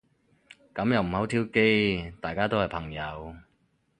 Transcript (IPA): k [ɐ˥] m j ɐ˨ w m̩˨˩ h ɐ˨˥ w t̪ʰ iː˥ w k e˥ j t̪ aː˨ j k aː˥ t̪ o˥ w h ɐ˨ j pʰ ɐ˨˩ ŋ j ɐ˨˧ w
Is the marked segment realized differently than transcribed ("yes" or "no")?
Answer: yes